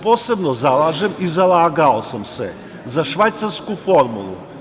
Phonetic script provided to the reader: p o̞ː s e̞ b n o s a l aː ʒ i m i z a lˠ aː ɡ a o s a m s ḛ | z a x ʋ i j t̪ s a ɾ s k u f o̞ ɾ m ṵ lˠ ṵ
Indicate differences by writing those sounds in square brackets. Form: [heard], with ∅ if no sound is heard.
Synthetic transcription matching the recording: p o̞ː s e̞ b n o [z] a l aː ʒ [e] m i z a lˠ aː ɡ a o s a m s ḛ | z a [ʃ] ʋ [a] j t̪ s a ɾ s k u f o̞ ɾ m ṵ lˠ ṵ